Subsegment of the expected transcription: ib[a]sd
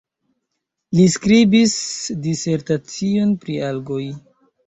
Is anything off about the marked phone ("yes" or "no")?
yes